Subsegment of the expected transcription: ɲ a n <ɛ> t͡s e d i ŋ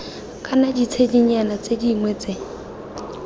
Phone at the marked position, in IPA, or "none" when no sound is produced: a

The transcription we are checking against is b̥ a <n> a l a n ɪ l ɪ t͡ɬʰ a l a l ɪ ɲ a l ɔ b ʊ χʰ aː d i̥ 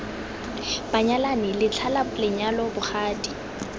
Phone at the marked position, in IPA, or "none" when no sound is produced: ɲ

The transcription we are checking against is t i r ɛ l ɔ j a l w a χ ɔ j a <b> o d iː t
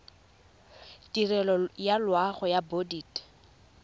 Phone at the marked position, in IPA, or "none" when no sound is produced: b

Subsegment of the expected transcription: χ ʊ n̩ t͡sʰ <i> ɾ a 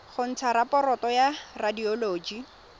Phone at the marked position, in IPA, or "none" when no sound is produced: a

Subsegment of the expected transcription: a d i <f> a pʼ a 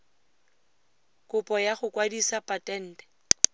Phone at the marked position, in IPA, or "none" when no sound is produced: s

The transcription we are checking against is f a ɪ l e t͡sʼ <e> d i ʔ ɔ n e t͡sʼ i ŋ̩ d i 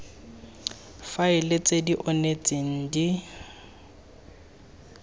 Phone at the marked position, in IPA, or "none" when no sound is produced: e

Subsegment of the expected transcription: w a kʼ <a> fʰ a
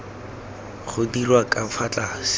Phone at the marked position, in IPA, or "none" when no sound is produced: a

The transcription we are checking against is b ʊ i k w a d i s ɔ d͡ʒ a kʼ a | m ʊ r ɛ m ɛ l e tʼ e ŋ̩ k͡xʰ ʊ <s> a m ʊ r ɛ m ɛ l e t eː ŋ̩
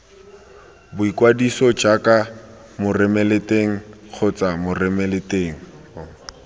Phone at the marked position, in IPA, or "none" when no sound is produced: t͡s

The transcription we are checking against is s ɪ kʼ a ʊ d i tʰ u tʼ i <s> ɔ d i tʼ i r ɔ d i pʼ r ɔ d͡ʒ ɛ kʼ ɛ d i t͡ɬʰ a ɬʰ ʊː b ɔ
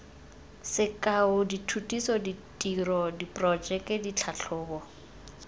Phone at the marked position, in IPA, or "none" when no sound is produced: s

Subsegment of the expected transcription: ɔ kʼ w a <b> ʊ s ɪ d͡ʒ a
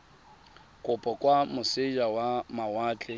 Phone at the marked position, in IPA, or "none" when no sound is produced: m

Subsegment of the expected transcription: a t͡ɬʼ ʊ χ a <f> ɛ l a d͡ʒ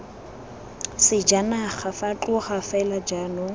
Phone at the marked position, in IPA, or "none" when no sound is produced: f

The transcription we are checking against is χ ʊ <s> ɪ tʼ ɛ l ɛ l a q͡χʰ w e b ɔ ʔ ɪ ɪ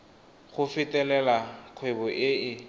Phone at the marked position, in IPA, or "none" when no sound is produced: f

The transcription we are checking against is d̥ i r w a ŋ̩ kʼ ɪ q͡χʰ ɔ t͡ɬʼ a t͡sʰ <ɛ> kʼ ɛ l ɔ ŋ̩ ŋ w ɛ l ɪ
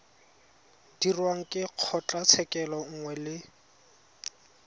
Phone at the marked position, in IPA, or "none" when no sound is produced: ɛ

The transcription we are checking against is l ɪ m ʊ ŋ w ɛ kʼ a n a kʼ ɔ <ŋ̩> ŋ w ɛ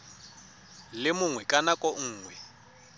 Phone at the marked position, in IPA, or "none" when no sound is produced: ŋ̩ː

